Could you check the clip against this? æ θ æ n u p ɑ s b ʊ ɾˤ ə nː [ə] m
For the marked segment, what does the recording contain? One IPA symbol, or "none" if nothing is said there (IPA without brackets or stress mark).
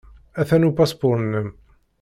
ə